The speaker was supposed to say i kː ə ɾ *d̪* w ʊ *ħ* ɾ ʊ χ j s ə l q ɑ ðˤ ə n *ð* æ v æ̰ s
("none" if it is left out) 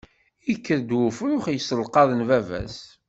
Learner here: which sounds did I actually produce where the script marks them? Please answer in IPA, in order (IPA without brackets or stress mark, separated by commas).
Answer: d̪, f, v